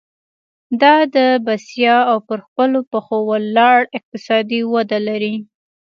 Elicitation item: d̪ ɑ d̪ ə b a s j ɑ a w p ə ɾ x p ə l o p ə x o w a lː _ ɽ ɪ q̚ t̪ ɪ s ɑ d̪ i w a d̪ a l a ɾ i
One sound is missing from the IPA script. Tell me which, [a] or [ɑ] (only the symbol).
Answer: ɑ